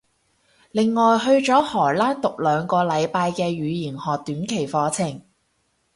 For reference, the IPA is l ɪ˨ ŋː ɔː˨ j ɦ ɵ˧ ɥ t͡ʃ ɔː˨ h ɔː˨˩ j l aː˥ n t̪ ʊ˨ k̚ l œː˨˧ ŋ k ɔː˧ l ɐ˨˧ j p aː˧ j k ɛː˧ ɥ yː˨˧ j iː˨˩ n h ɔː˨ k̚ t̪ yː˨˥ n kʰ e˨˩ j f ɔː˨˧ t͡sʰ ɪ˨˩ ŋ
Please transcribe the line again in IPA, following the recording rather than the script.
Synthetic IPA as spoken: l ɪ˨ ŋː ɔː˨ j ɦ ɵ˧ ɥ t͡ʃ ɔː˨˥ h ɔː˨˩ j l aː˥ n t̪ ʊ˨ k̚ l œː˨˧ ŋ k ɔː˧ l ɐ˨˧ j p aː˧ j k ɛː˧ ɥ yː˨˧ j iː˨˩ n h ɔː˨ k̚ t̪ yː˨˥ n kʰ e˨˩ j f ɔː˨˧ t͡sʰ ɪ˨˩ ŋ